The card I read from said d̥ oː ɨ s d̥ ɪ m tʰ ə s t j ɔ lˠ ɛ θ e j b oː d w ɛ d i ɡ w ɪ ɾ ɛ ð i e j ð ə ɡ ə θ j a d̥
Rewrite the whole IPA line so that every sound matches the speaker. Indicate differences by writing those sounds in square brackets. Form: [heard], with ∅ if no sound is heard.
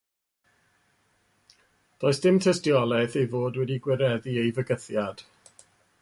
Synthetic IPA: d̥ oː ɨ s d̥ ɪ m tʰ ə s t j ɔ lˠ ɛ θ e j [v] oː d w ɛ d i ɡ w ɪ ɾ ɛ ð i e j [v] ə ɡ ə θ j a d̥